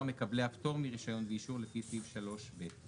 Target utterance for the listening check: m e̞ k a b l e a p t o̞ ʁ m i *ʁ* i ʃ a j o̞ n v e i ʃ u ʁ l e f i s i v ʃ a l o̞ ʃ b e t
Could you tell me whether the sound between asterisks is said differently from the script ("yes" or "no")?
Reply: no